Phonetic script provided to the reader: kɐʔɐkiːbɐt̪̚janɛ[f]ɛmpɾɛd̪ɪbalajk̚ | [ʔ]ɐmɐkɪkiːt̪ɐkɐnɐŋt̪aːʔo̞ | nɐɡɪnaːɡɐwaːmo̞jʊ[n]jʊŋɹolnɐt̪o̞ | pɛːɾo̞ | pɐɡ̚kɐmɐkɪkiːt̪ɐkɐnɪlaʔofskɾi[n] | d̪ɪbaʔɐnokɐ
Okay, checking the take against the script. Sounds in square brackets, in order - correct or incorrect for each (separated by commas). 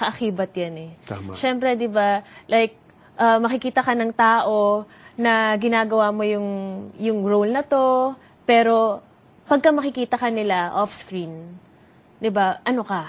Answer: incorrect, correct, incorrect, correct